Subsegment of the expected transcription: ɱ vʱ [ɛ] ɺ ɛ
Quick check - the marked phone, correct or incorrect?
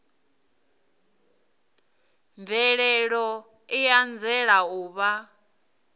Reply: correct